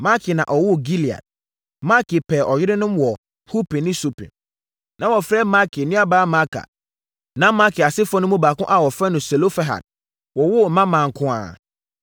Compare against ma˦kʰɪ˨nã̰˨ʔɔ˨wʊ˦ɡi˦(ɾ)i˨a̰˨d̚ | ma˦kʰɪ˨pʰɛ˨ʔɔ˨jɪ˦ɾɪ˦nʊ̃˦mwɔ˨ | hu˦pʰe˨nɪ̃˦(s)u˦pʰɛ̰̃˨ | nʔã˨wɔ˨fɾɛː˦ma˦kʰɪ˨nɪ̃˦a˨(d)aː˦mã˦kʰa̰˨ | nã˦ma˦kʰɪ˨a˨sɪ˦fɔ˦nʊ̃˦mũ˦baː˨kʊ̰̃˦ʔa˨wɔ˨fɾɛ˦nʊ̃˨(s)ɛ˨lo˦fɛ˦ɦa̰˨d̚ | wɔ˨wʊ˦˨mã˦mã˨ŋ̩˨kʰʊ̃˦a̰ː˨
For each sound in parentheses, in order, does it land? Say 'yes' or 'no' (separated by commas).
no, yes, no, yes